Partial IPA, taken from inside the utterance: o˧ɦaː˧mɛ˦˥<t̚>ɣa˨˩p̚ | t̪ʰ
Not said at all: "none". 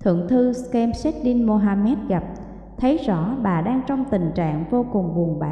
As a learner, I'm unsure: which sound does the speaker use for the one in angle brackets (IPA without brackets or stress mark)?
t̚